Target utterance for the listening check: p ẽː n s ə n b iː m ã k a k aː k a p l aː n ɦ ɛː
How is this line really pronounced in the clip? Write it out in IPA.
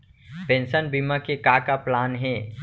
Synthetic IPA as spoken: p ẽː n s ə n b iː m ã k e k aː k a p l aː n ɦ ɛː